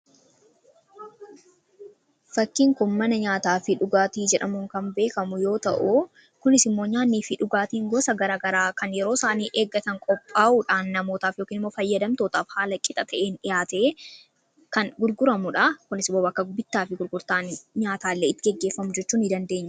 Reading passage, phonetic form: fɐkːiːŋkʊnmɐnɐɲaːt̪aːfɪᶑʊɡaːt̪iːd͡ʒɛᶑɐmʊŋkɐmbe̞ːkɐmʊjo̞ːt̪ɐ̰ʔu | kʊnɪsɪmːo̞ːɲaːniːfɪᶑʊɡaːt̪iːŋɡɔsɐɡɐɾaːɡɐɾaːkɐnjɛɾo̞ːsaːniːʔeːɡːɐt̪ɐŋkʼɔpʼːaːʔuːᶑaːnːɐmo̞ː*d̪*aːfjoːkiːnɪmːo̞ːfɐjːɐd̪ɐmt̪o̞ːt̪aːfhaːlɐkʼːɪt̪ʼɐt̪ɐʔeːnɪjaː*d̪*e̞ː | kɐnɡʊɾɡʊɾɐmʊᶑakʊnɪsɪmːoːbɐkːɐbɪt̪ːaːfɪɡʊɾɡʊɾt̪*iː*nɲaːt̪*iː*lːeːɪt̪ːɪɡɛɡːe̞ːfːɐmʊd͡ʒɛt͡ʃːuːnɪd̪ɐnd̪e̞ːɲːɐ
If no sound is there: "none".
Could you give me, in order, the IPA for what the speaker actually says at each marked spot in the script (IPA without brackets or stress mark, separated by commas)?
t̪, t̪, aː, aː